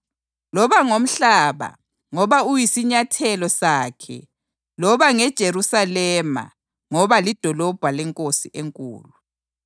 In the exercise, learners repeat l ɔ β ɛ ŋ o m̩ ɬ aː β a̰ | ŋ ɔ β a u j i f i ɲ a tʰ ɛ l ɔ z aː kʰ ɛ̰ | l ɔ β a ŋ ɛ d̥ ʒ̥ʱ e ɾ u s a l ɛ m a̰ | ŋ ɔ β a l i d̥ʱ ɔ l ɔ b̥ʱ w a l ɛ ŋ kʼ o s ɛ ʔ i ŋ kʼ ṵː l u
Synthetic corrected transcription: l ɔ β a ŋ o m̩ ɬ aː β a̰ | ŋ ɔ β a u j i s i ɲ a tʰ ɛ l ɔ s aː kʰ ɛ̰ | l ɔ β a ŋ ɛ d̥ ʒ̥ʱ e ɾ u s a l ɛ m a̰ | ŋ ɔ β a l i d̥ʱ ɔ l ɔ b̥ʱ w a l ɛ ŋ kʼ o s i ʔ e ŋ kʼ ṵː l u